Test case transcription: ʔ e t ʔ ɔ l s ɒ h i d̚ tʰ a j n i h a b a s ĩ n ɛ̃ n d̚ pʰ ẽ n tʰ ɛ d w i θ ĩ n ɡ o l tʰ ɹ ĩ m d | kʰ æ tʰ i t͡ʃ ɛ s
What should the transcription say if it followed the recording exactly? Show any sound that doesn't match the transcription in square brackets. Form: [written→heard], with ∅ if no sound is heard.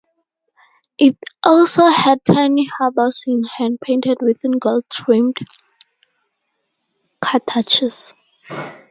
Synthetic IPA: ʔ [e→i] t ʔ ɔ l s [ɒ→o] h [i→ɛ] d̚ tʰ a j n i h a b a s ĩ n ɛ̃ n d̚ pʰ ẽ n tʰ ɛ d w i θ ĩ n ɡ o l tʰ ɹ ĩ m d | kʰ [æ→a] tʰ [i→a] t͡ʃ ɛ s